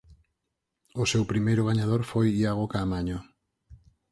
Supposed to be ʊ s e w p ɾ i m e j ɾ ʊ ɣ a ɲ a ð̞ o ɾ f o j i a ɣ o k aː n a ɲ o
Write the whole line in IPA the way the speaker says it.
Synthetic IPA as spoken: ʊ s e w p ɾ i m e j ɾ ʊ ɣ a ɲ a ð̞ o ɾ f o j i a ɣ o k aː m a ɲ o